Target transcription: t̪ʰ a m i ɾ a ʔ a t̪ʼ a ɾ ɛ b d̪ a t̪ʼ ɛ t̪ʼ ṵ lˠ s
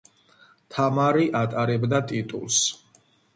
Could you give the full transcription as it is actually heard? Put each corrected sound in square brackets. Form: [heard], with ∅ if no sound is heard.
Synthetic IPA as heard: t̪ʰ a m [a] ɾ [i] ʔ a t̪ʼ a ɾ ɛ b d̪ a t̪ʼ [i] t̪ʼ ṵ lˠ s